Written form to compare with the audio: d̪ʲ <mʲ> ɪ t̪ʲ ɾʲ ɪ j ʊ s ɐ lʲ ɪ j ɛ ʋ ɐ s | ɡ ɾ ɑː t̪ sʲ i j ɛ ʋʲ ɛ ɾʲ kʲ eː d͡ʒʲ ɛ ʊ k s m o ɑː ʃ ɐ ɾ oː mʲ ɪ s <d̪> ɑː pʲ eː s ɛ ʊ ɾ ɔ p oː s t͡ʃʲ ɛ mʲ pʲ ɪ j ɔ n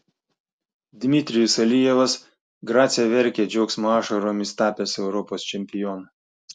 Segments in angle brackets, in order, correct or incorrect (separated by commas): correct, incorrect